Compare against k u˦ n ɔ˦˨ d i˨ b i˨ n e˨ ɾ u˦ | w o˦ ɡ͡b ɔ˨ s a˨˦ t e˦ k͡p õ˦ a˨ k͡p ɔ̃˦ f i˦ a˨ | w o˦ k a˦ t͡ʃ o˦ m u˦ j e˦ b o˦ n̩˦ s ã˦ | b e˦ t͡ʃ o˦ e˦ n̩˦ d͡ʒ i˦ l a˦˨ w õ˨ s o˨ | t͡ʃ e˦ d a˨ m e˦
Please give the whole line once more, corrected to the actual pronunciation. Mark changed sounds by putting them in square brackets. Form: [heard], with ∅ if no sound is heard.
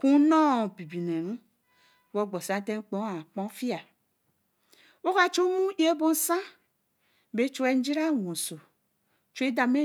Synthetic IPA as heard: k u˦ n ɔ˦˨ [b] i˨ b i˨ n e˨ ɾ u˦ | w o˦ ɡ͡b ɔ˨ s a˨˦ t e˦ k͡p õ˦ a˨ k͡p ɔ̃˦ f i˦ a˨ | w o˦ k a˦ t͡ʃ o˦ m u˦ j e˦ b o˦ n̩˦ s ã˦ | b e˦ t͡ʃ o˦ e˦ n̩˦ d͡ʒ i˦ [ɾ] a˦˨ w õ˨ s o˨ | t͡ʃ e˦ d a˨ m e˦